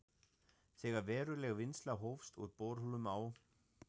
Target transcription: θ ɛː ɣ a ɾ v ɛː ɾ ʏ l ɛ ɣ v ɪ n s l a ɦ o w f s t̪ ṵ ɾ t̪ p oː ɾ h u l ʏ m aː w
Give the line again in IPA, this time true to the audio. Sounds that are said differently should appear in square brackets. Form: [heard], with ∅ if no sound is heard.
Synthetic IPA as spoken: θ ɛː ɣ a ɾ v ɛː ɾ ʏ l ɛ ɣ v ɪ n s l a ɦ o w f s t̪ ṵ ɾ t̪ p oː ɾ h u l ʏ m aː w